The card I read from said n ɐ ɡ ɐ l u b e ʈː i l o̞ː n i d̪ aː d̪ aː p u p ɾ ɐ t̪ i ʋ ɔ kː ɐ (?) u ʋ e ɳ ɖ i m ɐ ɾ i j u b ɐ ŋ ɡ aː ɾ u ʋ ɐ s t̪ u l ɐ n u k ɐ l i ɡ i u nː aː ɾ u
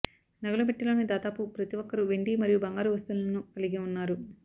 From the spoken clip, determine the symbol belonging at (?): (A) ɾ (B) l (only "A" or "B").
A